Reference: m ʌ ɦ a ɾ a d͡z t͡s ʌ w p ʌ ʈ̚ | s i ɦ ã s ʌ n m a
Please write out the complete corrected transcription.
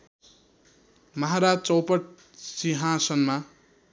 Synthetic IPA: m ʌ ɦ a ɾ a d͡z t͡s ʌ w p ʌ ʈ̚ | s i ɦ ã s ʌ n m a